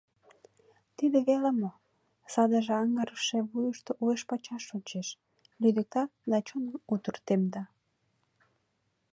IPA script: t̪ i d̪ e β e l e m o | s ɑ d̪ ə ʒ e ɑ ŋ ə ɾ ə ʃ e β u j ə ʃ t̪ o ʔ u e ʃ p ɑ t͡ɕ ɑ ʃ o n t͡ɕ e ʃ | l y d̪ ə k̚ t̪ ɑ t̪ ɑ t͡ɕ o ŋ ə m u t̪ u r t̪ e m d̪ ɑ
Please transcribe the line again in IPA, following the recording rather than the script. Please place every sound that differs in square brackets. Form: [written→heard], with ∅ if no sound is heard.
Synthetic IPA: t̪ i d̪ e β e l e m o | s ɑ d̪ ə ʒ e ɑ ŋ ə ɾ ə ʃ e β u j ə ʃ t̪ o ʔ u e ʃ p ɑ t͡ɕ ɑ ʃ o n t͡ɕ e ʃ | l y d̪ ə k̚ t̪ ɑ [t̪→d̪] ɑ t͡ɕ o [ŋ→n] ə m u t̪ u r t̪ e m d̪ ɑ